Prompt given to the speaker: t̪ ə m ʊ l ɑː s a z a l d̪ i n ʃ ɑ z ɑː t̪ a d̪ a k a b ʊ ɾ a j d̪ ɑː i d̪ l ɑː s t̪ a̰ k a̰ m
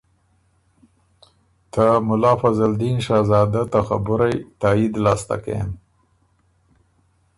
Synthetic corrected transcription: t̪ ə m ʊ l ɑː f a z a l d̪ i n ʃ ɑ z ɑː d̪ a t̪ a x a b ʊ ɾ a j t̪ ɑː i d̪ l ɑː s t̪ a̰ k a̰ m